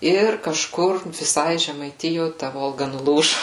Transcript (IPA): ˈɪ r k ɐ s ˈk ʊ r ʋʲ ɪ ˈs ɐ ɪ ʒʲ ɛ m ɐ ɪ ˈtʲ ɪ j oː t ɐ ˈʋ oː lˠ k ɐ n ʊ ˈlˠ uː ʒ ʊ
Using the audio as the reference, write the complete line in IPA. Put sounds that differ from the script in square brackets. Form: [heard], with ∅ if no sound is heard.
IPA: ˈɪ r k ɐ [ʃ] ˈk ʊ r ʋʲ ɪ ˈs ɐ ɪ ʒʲ ɛ m ɐ ɪ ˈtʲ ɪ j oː t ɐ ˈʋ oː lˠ [ɡ] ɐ n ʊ ˈlˠ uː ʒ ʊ